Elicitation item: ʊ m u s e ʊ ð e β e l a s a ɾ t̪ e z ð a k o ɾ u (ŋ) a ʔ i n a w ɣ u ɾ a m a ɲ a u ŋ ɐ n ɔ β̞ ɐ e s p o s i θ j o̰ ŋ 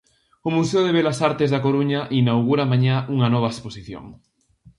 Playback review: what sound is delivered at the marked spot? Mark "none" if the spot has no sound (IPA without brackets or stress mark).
ɲ